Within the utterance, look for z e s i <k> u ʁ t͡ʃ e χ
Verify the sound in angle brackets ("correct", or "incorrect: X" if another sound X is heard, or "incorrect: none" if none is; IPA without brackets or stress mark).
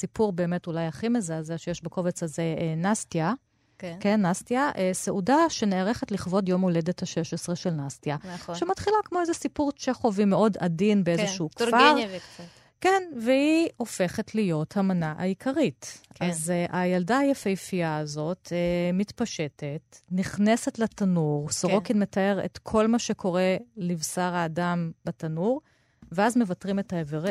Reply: incorrect: p